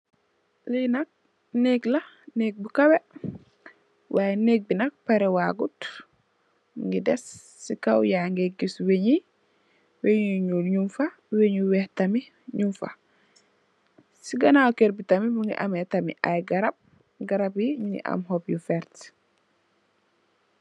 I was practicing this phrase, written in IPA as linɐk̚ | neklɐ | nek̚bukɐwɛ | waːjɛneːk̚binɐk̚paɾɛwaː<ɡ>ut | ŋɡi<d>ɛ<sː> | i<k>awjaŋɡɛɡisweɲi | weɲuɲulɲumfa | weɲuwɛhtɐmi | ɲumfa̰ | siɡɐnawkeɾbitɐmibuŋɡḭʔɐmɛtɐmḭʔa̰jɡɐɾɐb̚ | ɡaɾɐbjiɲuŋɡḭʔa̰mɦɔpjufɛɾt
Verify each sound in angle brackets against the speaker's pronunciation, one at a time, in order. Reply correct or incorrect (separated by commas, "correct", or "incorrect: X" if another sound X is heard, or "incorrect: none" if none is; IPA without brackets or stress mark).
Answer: correct, correct, correct, correct